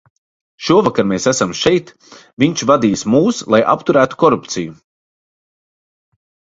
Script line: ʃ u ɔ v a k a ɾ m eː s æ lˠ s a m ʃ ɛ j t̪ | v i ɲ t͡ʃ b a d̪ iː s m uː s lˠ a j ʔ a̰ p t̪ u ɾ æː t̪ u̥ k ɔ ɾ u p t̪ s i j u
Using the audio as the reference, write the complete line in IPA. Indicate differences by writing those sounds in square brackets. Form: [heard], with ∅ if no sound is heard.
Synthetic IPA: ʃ u ɔ v a k a ɾ m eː s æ [∅] s a m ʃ ɛ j t̪ | v i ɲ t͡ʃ [v] a d̪ iː s m uː s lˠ a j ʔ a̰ p t̪ u ɾ æː t̪ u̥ k ɔ ɾ u p t̪ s i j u

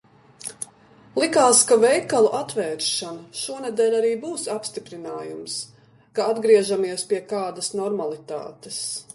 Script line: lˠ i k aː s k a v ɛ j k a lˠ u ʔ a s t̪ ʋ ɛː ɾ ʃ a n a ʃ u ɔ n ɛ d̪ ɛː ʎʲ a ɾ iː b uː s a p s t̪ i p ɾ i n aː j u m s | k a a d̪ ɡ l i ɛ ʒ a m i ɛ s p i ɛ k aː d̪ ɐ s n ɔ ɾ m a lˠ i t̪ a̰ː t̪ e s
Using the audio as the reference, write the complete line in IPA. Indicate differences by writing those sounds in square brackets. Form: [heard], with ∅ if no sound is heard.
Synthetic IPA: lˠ i k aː s k a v ɛ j k a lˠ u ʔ a [∅] t̪ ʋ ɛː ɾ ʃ a n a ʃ u ɔ n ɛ d̪ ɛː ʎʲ a ɾ iː b uː s a p s t̪ i p ɾ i n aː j u m s | k a a d̪ ɡ [ɾ] i ɛ ʒ a m i ɛ s p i ɛ k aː d̪ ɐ s n ɔ ɾ m a lˠ i t̪ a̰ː t̪ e s

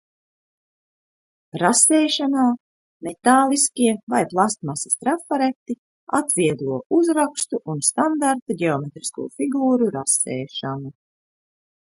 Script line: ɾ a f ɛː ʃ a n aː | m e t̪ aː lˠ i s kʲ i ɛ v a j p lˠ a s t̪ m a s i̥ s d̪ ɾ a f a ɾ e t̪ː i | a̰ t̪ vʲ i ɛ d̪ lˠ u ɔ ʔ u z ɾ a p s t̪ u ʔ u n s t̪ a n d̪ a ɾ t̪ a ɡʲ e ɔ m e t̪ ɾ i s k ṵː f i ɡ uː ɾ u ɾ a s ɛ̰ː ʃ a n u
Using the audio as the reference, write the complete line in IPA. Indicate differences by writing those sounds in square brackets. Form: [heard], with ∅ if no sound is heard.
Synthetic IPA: ɾ a [s] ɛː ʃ a n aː | m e t̪ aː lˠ i s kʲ i ɛ v a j p lˠ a s t̪ m a s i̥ s [t̪] ɾ a f a ɾ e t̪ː i | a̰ t̪ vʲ i ɛ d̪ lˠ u ɔ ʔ u z ɾ a [k] s t̪ u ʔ u n s t̪ a n d̪ a ɾ t̪ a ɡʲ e ɔ m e t̪ ɾ i s k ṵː f i ɡ uː ɾ u ɾ a s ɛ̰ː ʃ a n u

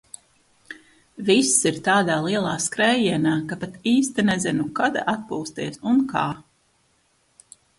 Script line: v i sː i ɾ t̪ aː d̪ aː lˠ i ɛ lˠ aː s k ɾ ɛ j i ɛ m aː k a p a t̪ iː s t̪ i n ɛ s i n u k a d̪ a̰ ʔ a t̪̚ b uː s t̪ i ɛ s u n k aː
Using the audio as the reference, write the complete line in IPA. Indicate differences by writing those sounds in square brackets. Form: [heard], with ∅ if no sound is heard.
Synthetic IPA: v i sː i ɾ t̪ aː d̪ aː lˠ i ɛ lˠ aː s k ɾ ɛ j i ɛ [n] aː k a p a t̪ iː s t̪ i n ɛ [z] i n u k a d̪ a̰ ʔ a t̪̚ [p] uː s t̪ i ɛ s u n k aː

